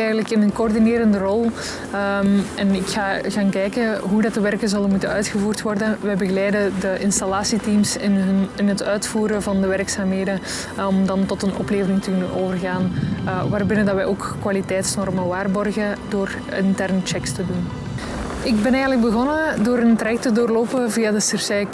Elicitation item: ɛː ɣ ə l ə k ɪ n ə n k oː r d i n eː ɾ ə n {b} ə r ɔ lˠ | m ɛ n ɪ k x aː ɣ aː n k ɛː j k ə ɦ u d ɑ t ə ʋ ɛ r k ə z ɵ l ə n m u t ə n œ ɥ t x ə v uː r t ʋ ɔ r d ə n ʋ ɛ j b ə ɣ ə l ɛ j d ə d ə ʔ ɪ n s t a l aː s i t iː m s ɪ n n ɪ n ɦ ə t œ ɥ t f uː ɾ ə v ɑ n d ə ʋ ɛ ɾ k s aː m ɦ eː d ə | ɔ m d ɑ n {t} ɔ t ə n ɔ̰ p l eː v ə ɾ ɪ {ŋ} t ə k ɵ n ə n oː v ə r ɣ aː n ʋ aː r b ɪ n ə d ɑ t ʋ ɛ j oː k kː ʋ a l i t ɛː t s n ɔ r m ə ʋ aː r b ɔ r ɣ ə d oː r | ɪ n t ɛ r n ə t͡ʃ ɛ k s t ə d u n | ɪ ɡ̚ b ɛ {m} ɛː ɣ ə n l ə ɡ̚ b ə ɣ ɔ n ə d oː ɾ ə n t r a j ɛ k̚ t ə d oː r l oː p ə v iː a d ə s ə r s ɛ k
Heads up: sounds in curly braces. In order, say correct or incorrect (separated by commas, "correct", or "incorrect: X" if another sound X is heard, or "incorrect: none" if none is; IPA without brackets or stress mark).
incorrect: d, correct, correct, incorrect: n